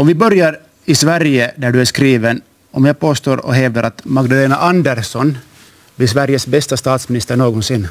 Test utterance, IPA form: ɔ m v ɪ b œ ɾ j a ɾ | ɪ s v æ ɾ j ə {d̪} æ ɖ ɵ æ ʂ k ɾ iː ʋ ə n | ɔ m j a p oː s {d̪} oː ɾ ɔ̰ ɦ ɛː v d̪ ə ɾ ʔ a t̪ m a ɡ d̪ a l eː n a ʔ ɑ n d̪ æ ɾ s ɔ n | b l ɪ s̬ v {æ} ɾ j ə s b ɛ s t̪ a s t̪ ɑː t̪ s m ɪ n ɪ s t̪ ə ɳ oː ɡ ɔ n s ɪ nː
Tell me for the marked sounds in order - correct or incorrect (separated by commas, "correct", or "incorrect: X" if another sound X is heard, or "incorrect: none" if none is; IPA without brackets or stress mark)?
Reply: correct, incorrect: t̪, correct